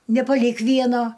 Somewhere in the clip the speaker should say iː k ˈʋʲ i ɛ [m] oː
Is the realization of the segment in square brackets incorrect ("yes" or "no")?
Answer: yes